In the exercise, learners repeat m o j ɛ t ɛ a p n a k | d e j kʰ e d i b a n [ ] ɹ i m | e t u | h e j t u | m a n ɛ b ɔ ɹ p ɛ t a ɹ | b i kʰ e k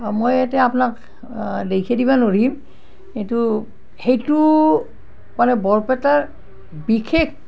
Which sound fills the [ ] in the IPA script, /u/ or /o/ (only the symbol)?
o